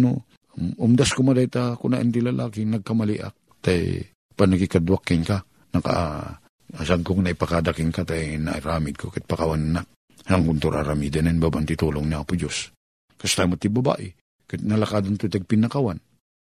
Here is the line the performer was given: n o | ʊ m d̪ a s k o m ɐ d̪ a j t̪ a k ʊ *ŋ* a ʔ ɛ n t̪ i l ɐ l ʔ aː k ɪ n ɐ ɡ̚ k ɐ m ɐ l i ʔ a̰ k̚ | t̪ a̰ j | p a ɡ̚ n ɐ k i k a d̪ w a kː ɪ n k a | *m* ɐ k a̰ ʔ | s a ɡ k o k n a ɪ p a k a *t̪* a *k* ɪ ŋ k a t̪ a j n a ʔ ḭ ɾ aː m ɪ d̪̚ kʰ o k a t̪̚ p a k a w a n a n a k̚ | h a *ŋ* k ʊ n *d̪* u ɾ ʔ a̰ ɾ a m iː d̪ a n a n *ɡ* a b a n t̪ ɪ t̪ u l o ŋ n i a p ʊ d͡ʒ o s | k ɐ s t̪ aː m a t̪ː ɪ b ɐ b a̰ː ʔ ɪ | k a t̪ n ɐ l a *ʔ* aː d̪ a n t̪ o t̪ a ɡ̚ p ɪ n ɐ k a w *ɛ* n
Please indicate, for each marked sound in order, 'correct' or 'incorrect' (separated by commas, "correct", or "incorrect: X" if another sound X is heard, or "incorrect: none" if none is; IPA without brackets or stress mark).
incorrect: n, incorrect: n, incorrect: d̪, correct, correct, incorrect: t̪, incorrect: b, incorrect: k, incorrect: a